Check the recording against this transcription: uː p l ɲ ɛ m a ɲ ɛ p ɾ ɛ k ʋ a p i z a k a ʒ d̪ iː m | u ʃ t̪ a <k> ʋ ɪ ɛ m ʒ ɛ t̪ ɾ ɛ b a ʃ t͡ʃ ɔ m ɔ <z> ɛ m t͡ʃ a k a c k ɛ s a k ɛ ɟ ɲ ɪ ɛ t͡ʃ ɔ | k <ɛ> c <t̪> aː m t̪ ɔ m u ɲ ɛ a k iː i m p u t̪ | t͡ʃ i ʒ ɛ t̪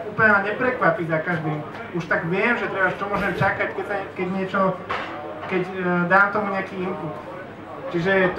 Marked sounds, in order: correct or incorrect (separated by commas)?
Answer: incorrect, incorrect, correct, incorrect